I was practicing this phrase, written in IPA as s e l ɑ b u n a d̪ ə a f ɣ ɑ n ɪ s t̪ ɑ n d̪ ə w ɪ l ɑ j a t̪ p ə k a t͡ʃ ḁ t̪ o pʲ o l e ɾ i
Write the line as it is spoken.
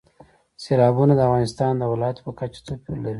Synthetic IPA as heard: s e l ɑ b u n a d̪ ə a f ɣ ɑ n ɪ s t̪ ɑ n d̪ ə w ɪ l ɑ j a t̪ p ə k a t͡ʃ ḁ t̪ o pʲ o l a ɾ i